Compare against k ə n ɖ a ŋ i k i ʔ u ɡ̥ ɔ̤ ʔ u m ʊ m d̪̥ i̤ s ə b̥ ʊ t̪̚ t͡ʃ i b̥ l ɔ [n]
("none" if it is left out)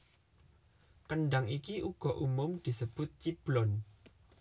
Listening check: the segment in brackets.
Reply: n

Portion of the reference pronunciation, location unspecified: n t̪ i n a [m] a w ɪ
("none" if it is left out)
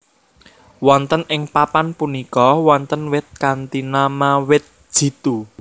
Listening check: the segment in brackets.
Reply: m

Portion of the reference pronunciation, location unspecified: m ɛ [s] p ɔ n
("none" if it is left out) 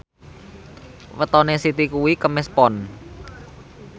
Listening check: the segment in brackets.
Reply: s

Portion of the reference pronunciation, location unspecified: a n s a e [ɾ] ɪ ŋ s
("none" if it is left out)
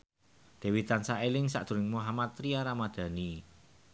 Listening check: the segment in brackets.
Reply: l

